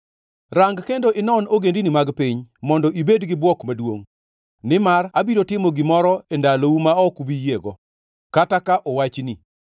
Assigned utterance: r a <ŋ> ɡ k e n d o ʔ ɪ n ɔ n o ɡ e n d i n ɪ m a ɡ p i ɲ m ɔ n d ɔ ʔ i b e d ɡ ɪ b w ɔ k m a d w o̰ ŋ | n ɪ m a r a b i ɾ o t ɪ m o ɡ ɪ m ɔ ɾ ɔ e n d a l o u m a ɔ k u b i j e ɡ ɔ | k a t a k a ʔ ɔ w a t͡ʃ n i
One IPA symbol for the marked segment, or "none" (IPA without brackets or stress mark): ŋ